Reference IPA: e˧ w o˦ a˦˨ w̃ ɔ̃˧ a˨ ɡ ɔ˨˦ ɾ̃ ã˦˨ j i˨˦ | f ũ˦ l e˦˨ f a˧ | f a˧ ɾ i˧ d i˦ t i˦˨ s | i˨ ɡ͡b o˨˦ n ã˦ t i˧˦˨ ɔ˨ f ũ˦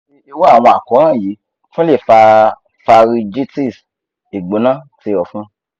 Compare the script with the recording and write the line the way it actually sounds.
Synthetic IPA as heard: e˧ w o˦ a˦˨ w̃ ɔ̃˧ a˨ k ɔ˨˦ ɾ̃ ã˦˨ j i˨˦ | f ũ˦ l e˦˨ f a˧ | f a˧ ɾ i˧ d͡ʒ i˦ t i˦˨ s | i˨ ɡ͡b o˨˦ n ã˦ t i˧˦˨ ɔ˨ f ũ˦